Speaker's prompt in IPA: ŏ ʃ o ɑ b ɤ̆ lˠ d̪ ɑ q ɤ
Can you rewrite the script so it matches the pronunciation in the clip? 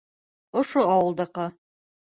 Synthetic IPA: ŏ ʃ o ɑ w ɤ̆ lˠ d̪ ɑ q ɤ